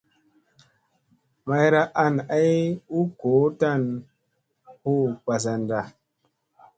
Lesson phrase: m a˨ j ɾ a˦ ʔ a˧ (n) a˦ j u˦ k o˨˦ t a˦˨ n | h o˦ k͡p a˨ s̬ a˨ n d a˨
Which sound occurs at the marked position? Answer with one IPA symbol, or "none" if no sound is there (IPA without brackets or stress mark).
n